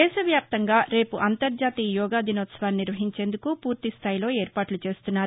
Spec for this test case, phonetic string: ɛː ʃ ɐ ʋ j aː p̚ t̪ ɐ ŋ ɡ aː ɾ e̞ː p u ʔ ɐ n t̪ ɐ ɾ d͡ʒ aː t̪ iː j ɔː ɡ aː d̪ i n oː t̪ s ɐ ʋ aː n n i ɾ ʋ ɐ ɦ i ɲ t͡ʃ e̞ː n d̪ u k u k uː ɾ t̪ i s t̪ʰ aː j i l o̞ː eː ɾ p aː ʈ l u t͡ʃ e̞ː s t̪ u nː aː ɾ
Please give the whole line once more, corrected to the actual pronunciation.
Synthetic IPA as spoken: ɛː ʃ ɐ ʋ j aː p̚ t̪ ɐ ŋ ɡ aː ɾ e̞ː p u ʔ ɐ n t̪ ɐ ɾ d͡ʒ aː t̪ iː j ɔː ɡ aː d̪ i n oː t̪ s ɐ ʋ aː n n i ɾ ʋ ɐ ɦ i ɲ t͡ʃ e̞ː n d̪ u k u p uː ɾ t̪ i s t̪ʰ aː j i l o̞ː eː ɾ p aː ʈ l u t͡ʃ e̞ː s t̪ u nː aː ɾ